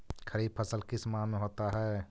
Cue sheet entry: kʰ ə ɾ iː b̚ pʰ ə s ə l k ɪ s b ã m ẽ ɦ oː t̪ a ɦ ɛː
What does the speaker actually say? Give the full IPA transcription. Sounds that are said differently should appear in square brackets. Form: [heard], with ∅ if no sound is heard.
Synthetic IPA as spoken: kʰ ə ɾ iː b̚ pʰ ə s ə l k ɪ s [m] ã m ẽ ɦ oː t̪ a ɦ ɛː